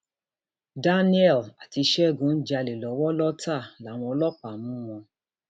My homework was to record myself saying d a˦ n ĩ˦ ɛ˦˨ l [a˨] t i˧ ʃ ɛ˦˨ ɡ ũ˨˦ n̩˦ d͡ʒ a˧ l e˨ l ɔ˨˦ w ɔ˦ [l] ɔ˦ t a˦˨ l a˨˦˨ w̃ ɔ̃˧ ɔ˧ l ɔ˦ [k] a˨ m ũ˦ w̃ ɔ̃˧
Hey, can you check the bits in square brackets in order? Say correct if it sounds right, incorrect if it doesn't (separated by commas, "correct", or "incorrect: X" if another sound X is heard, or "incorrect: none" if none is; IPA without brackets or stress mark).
correct, correct, incorrect: k͡p